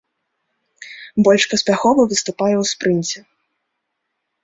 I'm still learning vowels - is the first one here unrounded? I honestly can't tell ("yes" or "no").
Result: no